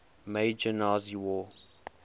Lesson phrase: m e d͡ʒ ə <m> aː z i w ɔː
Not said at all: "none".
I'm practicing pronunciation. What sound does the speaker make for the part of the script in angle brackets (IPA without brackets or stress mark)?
n